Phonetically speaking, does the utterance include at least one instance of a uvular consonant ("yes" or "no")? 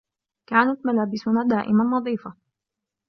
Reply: no